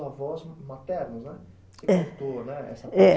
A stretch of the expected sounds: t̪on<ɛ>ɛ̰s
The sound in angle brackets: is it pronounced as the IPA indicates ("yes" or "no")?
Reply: yes